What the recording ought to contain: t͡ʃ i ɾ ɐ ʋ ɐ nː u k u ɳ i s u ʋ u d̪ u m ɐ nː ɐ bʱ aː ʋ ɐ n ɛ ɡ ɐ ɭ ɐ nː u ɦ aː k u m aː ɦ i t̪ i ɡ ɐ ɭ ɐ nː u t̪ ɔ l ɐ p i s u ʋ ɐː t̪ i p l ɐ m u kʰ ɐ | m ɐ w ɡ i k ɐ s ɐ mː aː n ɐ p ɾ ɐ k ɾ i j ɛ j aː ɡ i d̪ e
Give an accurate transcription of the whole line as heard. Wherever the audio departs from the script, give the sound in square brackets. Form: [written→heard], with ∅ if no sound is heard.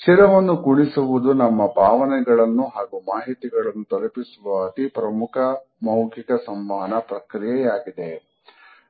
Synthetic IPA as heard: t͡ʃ i ɾ ɐ ʋ ɐ nː u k u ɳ i s u ʋ u d̪ u [m→n] ɐ [nː→mː] ɐ bʱ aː ʋ ɐ n ɛ ɡ ɐ ɭ ɐ nː u ɦ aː [k→ɡ] u m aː ɦ i t̪ i ɡ ɐ ɭ ɐ nː u t̪ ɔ l ɐ p i s u ʋ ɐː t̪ i p [l→ɾ] ɐ m u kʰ ɐ | m ɐ w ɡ i k ɐ s ɐ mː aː n ɐ p ɾ ɐ k ɾ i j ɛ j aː ɡ i d̪ e